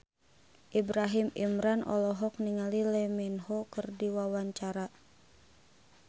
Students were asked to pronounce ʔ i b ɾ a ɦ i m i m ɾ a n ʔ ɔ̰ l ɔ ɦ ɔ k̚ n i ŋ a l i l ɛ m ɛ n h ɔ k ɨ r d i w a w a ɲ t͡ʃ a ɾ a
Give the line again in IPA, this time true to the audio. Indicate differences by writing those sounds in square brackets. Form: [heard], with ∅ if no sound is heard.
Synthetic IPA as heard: ʔ i b ɾ a ɦ i m i m ɾ a n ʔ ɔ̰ l ɔ ɦ ɔ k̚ n i ŋ a l i l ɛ m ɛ n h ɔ k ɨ r d i w a w a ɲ t͡ʃ a ɾ a